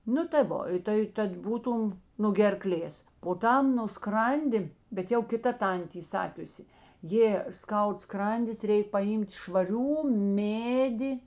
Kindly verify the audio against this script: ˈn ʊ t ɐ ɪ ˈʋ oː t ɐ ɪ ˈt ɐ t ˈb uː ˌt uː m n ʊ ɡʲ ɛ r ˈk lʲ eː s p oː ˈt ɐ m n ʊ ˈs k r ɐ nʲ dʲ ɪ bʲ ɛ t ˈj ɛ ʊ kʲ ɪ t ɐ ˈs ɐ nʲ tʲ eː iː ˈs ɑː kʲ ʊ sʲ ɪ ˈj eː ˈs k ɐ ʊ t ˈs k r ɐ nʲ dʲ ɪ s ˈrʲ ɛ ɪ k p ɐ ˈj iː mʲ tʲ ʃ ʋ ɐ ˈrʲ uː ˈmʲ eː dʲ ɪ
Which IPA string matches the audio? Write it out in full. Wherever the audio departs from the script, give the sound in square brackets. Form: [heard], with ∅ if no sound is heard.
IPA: ˈn ʊ t ɐ ɪ ˈʋ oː t ɐ ɪ ˈt ɐ t ˈb uː ˌt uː m n ʊ ɡʲ ɛ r ˈk lʲ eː s p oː ˈt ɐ m n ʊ ˈs k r ɐ nʲ dʲ ɪ bʲ ɛ t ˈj ɛ ʊ kʲ ɪ t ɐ [ˈt] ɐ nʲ tʲ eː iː ˈs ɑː kʲ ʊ sʲ ɪ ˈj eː ˈs k ɐ ʊ t ˈs k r ɐ nʲ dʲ ɪ s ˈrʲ ɛ ɪ k p ɐ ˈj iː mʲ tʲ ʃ ʋ ɐ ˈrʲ uː ˈmʲ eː dʲ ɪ